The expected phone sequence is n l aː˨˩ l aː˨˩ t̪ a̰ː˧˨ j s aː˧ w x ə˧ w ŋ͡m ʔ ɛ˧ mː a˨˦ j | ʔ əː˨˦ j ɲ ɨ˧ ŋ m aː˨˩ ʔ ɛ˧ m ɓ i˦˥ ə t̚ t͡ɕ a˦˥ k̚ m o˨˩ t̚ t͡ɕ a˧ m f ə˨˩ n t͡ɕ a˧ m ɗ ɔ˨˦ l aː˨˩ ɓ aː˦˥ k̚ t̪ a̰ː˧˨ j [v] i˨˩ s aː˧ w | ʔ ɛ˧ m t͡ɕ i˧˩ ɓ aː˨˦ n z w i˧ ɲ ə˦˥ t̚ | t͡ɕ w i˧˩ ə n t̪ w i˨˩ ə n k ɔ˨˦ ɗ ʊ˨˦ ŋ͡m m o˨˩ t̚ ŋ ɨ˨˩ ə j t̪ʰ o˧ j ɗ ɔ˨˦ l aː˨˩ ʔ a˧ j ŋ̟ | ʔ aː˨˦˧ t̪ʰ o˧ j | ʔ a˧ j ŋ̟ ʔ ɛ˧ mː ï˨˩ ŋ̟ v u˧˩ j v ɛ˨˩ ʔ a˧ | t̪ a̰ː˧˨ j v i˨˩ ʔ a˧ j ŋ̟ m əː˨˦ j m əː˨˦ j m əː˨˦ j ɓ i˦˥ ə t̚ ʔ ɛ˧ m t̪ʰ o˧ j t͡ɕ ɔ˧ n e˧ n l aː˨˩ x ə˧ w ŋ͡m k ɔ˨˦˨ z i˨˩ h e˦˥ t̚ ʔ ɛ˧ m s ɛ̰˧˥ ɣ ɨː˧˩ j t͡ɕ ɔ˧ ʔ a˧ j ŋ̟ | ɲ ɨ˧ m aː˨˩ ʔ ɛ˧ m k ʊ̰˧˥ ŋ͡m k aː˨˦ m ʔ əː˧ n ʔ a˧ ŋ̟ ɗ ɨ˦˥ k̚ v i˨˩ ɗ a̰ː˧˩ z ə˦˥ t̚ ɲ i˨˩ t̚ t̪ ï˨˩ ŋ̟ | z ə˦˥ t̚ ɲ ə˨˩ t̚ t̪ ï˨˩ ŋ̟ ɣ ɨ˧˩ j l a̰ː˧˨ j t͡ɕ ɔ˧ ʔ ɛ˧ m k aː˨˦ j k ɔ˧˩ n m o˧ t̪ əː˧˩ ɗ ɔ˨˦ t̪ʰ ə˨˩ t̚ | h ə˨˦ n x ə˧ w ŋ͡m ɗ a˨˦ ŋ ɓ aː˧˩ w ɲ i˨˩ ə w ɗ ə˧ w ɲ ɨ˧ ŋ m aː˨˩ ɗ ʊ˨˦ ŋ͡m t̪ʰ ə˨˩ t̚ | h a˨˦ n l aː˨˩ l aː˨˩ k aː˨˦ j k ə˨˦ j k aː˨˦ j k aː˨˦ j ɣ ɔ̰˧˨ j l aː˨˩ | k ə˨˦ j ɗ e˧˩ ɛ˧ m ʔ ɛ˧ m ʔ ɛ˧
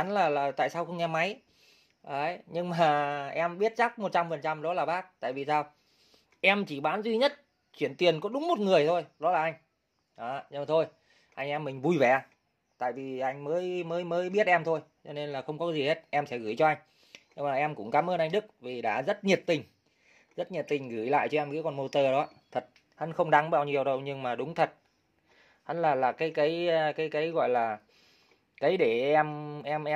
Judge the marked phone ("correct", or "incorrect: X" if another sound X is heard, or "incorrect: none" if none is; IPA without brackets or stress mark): correct